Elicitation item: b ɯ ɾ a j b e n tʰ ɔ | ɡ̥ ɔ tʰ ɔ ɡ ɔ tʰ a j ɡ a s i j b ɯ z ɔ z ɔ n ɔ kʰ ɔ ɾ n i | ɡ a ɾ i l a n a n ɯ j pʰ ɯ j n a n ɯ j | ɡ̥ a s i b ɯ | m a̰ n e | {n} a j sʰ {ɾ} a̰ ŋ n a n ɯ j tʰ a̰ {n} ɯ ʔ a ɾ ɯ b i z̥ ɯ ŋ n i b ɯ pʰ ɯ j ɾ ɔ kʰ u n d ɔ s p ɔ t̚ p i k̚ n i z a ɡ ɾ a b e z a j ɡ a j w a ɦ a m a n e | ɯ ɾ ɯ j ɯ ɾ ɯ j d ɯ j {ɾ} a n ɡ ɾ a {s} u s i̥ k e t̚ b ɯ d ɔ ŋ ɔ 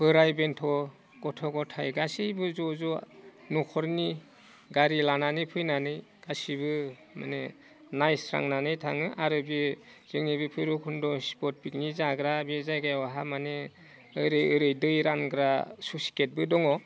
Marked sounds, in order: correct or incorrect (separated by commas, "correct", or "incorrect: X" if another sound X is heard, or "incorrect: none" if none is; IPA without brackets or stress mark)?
correct, correct, incorrect: ŋ, correct, correct